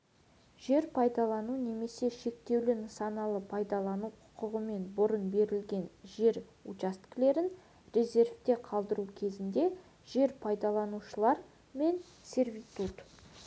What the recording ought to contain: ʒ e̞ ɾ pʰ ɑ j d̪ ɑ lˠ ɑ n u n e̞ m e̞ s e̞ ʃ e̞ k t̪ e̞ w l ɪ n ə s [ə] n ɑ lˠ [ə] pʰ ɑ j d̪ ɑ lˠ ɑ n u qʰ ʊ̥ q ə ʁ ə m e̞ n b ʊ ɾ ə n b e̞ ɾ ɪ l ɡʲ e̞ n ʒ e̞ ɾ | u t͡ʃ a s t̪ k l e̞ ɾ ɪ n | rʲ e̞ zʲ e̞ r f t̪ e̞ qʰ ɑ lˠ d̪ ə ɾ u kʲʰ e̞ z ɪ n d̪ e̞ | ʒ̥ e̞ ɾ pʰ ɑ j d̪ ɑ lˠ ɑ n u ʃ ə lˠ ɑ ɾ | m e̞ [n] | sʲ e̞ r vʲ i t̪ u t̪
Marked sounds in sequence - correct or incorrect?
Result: incorrect: ɑ, correct, correct

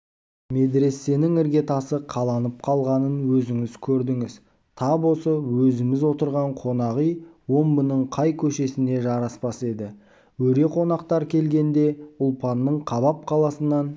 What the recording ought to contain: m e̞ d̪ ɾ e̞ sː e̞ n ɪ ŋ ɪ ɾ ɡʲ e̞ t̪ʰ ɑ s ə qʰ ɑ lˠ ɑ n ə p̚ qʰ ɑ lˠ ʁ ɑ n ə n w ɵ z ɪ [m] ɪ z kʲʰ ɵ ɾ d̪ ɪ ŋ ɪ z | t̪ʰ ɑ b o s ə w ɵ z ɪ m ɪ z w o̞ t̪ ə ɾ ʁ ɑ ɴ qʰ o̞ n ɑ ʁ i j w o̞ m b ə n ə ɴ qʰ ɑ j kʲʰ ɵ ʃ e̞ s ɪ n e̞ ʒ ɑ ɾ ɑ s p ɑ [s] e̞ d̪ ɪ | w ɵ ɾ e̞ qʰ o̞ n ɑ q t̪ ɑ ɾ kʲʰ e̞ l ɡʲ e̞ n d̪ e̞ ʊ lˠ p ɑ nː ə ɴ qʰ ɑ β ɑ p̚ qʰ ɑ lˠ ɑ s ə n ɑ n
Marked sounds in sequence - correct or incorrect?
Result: incorrect: ŋ, correct

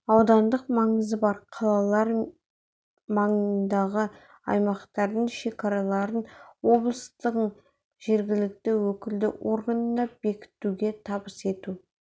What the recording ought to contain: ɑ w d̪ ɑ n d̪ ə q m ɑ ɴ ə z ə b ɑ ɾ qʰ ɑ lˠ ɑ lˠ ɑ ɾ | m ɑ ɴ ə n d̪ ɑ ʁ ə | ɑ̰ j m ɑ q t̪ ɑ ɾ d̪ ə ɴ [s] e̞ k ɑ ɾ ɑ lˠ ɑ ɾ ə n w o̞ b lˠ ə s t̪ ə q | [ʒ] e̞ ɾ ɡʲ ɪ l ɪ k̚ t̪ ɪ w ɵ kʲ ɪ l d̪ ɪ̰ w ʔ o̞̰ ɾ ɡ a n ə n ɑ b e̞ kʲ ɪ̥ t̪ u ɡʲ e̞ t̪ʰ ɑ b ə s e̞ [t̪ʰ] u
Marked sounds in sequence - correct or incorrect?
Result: incorrect: ʃ, correct, incorrect: t̪

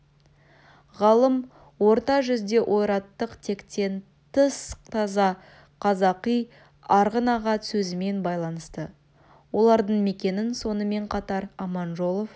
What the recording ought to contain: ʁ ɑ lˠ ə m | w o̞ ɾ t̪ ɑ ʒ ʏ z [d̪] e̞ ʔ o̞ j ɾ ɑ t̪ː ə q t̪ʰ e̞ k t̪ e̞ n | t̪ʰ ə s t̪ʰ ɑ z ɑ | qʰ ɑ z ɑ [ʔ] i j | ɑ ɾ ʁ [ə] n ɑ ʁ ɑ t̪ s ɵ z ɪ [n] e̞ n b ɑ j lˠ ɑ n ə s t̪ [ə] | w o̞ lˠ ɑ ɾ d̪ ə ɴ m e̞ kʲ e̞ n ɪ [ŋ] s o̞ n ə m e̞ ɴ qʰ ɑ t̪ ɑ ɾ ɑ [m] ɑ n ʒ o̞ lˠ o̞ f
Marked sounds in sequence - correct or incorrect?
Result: correct, incorrect: q, correct, incorrect: m, correct, incorrect: n, correct

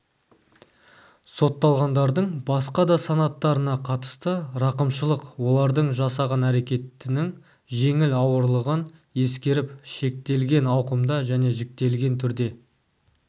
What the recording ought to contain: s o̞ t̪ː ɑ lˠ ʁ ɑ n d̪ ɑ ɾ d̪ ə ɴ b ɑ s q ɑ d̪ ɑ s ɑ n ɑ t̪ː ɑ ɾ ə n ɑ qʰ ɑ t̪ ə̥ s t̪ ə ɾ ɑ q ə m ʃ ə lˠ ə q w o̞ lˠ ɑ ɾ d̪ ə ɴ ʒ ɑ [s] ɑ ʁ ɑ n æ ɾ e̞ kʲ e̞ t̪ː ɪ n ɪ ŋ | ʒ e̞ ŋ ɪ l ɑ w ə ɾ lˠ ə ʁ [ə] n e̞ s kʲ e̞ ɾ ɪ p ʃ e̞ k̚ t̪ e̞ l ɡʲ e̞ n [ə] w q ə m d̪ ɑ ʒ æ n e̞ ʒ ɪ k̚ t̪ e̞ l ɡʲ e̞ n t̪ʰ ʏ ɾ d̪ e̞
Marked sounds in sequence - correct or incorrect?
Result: correct, correct, incorrect: ɑ

